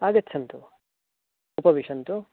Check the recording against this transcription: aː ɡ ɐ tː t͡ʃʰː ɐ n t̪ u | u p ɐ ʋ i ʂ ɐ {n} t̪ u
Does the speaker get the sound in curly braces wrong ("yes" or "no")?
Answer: no